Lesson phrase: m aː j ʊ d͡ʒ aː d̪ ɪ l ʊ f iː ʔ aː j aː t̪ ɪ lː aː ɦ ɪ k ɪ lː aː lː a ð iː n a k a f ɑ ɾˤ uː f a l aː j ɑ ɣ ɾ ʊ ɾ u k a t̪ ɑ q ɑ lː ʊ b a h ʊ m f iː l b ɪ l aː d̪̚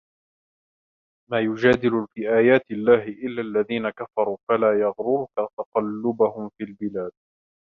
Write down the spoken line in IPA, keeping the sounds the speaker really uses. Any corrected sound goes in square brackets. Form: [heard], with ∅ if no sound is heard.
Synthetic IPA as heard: m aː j ʊ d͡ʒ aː d̪ ɪ l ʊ f iː ʔ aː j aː t̪ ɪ lː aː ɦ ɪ [ʔ] ɪ lː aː lː a ð iː n a k a f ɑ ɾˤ uː f a l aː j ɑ ɣ ɾ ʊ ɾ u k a t̪ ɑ q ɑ lː ʊ b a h ʊ m f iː l b ɪ l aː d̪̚